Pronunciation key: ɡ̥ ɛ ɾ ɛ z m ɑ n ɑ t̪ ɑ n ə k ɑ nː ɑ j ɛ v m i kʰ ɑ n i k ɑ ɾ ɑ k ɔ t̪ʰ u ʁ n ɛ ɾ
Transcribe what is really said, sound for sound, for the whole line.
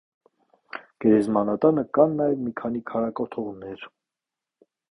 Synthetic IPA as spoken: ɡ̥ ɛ ɾ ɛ z m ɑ n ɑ t̪ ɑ n ə k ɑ nː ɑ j ɛ v m i kʰ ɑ n i kʰ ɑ ɾ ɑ k ɔ t̪ʰ ɔ ʁ n ɛ ɾ